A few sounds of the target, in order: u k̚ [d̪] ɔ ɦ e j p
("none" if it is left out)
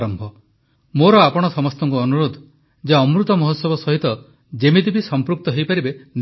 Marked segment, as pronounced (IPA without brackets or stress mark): t̪